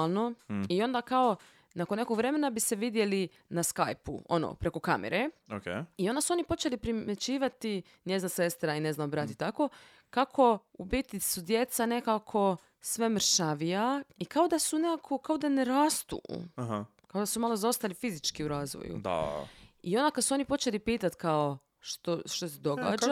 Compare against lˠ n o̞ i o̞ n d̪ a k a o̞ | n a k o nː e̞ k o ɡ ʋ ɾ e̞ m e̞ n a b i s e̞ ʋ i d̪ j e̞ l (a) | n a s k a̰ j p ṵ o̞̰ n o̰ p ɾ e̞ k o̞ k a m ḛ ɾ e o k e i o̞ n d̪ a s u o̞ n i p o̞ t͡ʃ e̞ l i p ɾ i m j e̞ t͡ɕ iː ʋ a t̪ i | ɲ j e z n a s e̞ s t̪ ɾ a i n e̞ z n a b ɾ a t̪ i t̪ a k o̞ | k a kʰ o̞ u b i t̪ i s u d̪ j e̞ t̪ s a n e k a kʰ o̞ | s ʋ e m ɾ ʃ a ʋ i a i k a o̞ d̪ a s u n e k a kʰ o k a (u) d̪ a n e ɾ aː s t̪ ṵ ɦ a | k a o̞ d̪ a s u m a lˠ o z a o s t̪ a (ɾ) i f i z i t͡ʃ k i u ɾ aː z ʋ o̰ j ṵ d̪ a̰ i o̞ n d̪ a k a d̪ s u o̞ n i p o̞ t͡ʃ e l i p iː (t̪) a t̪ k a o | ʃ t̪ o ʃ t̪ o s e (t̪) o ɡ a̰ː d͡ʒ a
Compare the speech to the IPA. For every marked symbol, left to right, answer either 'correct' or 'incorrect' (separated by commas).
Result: incorrect, incorrect, incorrect, correct, incorrect